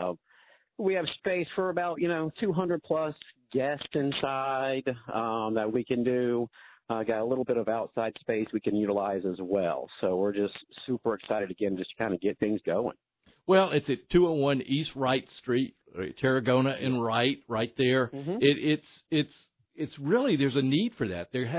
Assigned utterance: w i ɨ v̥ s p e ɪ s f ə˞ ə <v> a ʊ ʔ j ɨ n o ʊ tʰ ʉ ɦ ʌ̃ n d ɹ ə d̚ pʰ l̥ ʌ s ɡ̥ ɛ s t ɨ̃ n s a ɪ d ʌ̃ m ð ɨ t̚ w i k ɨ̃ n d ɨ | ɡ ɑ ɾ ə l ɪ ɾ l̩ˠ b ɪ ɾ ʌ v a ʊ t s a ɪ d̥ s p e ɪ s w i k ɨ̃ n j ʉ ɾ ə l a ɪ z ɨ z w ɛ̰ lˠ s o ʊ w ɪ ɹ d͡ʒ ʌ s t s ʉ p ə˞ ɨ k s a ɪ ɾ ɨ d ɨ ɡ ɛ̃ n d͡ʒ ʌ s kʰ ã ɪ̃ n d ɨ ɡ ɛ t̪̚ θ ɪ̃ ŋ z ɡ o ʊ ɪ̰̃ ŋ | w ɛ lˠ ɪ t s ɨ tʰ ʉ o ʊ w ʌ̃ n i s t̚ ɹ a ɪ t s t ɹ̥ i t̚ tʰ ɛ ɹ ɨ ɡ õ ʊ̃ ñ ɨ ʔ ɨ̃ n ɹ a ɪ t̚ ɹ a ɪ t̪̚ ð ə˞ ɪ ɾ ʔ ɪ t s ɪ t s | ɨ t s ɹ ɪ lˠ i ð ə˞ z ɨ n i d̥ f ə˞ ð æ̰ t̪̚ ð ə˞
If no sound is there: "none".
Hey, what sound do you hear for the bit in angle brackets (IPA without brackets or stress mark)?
b